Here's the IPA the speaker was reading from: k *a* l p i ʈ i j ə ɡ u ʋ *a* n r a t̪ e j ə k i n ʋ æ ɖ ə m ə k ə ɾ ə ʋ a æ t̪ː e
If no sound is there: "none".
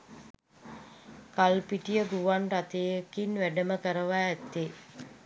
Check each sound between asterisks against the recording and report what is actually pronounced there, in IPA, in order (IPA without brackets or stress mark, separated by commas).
a, a